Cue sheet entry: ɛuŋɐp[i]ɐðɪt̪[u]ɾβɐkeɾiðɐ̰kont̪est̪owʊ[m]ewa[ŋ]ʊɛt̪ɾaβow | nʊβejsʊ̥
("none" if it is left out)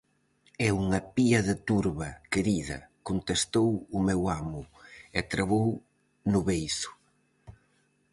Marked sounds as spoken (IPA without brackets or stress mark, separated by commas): i, u, m, m